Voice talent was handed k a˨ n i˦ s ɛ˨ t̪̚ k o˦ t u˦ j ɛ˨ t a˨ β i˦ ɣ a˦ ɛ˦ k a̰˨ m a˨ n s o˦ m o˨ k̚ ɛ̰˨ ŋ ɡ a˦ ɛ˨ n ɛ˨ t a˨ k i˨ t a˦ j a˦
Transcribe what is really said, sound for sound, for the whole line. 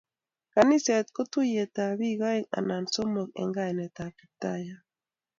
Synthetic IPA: k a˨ n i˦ s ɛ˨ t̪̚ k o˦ t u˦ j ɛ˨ t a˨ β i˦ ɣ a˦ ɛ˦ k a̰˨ n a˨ n s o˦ m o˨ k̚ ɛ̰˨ ŋ ɡ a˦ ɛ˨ n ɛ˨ t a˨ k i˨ t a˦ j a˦